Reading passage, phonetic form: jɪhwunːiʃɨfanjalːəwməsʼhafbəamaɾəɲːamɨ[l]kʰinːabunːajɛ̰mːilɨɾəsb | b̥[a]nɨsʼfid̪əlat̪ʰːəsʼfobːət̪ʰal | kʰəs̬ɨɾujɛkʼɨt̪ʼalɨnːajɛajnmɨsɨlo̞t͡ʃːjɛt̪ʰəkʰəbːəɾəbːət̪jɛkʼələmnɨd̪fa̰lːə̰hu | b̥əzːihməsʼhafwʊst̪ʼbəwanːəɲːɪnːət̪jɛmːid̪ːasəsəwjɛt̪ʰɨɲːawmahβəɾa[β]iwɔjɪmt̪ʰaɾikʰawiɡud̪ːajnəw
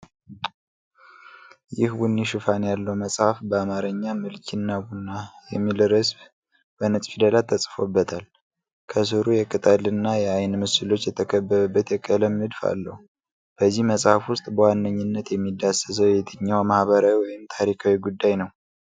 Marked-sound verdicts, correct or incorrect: correct, incorrect: ə, incorrect: w

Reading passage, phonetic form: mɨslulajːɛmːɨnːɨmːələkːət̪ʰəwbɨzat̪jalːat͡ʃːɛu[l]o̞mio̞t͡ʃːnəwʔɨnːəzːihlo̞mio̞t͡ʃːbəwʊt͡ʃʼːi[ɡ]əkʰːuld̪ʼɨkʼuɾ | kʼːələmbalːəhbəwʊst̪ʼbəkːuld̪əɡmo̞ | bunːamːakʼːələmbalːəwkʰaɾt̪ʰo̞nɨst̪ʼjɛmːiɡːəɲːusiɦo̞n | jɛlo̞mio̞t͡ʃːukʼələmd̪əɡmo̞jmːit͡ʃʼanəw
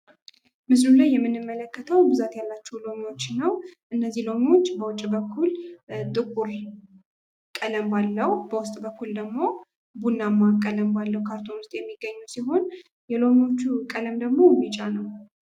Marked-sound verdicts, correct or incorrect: correct, incorrect: b

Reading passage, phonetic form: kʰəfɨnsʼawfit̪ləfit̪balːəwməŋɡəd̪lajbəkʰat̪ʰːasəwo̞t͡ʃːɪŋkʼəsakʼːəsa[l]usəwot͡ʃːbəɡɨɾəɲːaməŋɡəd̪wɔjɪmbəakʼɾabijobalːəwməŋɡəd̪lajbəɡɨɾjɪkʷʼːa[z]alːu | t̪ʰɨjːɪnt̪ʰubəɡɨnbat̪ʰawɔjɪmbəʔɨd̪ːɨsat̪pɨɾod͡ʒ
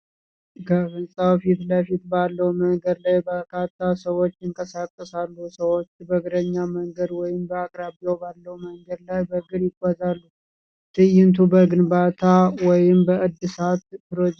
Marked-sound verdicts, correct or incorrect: incorrect: lː, correct

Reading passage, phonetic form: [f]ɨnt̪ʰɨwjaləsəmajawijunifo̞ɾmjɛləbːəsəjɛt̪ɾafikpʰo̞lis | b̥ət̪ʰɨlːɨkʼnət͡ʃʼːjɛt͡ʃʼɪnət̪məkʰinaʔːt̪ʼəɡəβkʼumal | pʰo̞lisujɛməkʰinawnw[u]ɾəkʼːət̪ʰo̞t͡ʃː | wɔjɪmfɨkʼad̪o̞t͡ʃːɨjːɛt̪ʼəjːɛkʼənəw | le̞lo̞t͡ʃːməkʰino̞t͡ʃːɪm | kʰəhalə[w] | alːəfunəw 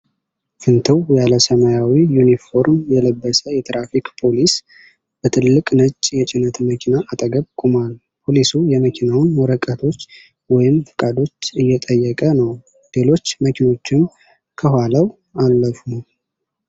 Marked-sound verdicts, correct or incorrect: correct, incorrect: ɔ, correct

